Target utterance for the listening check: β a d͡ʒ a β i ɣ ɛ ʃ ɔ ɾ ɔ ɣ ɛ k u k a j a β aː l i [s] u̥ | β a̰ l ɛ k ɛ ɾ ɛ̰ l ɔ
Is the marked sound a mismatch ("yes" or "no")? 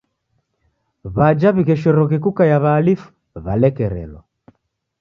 yes